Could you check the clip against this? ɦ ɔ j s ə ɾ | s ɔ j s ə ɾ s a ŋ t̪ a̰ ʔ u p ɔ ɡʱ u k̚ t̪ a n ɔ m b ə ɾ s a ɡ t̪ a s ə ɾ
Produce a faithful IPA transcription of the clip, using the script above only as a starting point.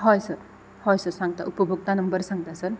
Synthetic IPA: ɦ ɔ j s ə ɾ | h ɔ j s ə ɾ s a ŋ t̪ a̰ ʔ u p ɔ bʱ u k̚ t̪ a n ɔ m b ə ɾ s a ŋ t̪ a s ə ɾ